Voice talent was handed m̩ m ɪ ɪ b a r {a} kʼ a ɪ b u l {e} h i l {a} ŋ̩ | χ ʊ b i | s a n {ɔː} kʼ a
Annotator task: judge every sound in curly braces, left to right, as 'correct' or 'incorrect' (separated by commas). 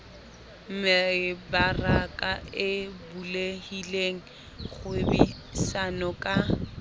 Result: correct, correct, incorrect, incorrect